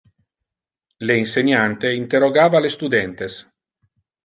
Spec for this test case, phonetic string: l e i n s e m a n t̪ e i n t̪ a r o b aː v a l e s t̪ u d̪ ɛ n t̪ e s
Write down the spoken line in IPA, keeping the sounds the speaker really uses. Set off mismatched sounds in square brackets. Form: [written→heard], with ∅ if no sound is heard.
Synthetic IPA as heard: l e i n s e [m→ɲ] a n t̪ e i n t̪ [a→e] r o [b→ɡ] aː v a l e s t̪ u d̪ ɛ n t̪ e s